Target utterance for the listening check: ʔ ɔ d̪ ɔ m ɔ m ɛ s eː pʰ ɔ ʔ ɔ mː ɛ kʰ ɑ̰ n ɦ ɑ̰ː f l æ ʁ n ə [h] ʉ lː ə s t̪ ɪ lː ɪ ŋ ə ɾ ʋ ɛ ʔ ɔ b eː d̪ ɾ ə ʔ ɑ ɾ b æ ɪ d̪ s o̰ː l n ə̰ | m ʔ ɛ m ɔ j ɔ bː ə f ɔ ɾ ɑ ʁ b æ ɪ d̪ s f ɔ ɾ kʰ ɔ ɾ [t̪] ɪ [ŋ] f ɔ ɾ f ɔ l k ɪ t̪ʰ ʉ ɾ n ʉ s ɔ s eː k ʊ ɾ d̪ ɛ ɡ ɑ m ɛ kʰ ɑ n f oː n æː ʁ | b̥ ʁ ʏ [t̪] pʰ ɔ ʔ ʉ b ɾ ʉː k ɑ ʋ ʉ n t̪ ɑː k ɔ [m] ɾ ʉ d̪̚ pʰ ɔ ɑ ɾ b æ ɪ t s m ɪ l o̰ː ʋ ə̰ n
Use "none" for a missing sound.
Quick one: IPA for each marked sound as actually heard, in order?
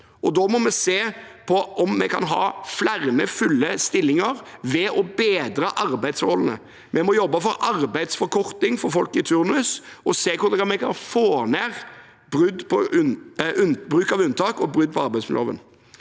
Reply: f, t̪, ŋ, d̪, b

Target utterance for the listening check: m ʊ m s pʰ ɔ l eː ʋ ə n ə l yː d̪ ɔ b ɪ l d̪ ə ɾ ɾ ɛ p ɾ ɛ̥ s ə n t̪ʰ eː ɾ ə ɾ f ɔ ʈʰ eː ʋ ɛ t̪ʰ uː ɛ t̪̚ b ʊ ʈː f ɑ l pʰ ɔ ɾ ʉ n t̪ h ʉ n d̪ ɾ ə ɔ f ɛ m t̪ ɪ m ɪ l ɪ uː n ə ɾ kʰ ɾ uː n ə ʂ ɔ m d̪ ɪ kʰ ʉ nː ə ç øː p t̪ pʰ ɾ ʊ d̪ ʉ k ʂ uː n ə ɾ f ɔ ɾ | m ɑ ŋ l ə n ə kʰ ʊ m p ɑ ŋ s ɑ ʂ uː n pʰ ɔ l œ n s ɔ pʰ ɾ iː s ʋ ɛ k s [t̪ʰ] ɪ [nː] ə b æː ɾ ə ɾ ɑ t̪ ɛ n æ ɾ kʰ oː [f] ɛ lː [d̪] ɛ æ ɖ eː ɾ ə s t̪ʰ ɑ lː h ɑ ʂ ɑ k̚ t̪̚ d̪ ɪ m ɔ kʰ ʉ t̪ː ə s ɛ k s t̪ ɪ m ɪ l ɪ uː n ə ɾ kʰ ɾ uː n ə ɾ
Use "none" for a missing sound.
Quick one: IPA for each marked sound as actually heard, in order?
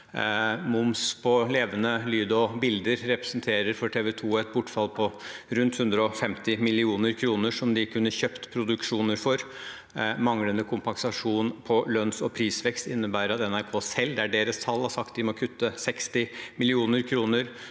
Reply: t̪, nː, s, d̪

